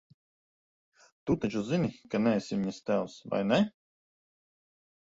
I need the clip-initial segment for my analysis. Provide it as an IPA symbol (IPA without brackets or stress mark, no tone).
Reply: t̪